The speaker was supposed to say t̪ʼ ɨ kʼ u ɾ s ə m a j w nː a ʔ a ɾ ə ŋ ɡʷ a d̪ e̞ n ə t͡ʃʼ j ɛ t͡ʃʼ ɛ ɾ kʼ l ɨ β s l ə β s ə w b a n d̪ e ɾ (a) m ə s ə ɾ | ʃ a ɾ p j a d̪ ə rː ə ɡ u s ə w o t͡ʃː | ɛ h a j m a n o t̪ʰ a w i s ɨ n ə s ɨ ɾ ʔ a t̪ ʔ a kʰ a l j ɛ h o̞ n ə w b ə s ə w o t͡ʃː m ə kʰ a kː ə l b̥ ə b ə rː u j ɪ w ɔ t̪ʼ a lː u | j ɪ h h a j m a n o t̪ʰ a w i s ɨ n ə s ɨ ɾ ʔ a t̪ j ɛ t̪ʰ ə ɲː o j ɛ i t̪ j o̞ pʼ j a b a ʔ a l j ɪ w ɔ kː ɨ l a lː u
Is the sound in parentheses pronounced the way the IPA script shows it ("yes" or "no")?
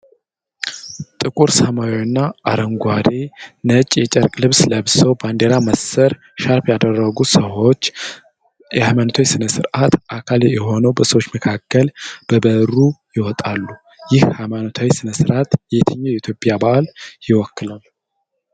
yes